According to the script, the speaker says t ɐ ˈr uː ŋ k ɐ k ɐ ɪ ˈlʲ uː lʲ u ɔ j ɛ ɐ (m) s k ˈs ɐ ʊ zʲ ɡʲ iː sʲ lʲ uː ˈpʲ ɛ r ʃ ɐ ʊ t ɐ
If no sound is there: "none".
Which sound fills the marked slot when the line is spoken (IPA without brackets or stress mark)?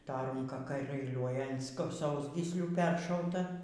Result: n